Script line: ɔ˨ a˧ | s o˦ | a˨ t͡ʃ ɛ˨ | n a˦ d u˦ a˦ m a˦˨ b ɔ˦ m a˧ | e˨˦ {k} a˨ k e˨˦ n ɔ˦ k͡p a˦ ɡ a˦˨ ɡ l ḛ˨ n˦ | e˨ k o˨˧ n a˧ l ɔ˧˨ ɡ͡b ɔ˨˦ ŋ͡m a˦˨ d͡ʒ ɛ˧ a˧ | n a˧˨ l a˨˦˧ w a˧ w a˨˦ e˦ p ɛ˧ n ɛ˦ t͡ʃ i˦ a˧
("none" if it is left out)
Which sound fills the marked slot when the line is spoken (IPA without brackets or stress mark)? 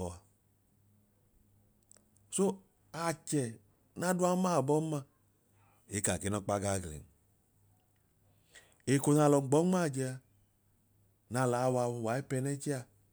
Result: k